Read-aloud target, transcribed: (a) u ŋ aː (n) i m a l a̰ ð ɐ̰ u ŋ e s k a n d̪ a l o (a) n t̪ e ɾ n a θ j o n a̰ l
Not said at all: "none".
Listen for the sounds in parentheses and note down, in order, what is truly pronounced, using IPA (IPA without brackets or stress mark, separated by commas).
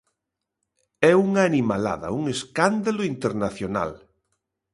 ɛ, n, i